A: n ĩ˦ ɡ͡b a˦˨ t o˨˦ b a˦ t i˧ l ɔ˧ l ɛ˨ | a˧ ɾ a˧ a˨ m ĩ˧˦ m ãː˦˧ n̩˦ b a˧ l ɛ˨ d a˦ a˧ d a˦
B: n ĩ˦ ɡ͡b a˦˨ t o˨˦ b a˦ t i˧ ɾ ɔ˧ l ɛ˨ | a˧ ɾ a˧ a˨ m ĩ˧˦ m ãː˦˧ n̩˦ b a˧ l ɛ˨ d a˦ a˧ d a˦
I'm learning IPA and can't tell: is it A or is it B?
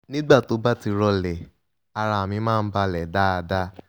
B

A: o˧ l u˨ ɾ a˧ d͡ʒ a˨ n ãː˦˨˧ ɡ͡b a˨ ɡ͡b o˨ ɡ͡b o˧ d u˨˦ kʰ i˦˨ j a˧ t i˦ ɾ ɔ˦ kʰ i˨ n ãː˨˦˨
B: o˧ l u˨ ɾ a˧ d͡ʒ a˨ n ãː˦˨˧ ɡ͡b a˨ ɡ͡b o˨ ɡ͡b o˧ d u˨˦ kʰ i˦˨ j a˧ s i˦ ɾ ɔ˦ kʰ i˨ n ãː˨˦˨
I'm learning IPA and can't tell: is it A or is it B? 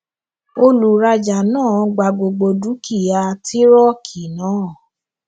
A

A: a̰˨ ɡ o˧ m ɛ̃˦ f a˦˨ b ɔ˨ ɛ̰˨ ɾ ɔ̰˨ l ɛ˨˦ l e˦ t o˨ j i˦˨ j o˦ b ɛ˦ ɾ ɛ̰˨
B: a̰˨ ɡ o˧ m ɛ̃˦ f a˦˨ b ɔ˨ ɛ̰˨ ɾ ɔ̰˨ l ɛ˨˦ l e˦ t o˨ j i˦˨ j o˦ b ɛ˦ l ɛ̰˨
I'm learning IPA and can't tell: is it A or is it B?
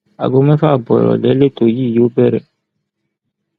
A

